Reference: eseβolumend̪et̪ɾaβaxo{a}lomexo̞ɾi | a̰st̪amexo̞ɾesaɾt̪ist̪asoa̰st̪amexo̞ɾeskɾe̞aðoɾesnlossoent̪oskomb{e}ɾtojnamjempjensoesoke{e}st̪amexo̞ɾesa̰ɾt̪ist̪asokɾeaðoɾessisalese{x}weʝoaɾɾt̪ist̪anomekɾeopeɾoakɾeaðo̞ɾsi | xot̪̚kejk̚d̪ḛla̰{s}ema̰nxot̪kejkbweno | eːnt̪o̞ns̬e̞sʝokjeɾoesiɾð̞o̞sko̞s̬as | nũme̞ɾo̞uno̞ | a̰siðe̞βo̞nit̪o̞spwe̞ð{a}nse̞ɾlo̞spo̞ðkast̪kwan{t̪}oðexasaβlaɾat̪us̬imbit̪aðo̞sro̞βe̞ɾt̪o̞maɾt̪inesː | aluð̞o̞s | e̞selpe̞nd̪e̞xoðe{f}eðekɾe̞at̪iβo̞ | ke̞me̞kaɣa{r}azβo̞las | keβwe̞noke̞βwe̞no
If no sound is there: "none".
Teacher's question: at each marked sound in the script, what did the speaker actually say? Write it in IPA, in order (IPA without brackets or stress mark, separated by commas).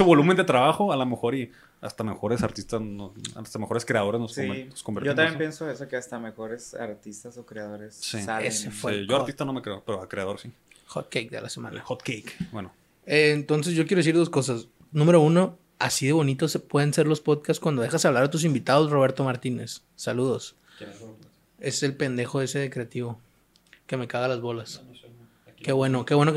a, e, a, f, s, e, d̪, s, l